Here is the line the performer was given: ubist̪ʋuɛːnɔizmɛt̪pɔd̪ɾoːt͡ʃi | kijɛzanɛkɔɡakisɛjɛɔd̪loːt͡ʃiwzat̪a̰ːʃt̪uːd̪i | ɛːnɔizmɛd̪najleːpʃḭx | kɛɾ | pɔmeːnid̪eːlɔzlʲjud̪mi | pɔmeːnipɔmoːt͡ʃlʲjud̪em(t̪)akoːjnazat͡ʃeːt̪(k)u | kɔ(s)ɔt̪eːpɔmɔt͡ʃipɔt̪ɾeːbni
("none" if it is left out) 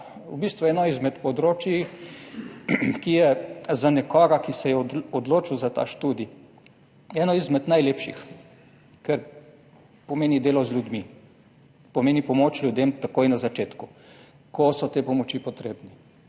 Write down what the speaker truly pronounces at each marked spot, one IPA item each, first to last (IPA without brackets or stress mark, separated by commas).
t̪, k, s